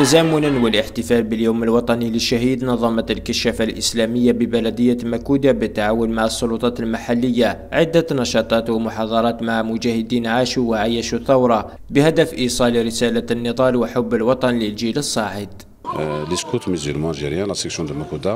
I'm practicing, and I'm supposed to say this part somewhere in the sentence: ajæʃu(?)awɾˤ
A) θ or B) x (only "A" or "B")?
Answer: A